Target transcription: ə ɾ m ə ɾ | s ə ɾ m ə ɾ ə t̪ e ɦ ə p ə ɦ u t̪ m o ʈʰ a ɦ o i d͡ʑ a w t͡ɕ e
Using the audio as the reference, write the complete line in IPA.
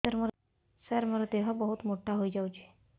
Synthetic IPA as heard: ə ɾ m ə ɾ | s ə ɾ m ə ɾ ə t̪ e ɦ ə b ə ɦ u t̪ m o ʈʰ a ɦ o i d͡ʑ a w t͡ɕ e